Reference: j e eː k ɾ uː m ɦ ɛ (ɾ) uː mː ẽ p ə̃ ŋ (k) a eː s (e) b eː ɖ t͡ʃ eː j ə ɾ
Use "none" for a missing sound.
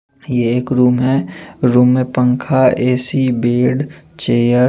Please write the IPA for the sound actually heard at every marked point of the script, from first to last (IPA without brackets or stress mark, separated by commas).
ɾ, kʰ, i